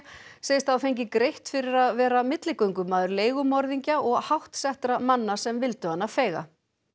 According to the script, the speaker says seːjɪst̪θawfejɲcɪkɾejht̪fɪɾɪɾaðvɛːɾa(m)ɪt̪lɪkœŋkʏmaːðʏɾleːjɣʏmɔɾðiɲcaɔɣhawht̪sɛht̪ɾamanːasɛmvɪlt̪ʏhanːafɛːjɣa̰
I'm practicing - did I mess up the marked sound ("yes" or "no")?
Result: no